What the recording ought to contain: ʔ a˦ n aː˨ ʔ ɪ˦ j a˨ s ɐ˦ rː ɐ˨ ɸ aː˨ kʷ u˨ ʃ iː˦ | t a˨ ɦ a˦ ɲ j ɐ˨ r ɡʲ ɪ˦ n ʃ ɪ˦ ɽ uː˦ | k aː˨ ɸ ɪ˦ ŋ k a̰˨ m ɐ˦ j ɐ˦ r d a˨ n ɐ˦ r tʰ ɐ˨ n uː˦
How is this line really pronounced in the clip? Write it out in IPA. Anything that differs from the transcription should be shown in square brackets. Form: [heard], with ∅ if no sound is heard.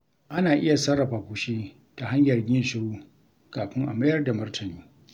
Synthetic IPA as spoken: ʔ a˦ n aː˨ ʔ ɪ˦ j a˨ s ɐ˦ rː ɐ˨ ɸ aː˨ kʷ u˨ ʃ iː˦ | t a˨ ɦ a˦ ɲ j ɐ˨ r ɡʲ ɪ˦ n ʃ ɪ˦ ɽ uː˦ | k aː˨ ɸ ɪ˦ ŋ [ʔ] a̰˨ m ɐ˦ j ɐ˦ r d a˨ [m] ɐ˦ r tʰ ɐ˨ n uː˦